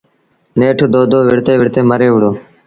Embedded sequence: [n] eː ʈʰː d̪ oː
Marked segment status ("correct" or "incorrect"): correct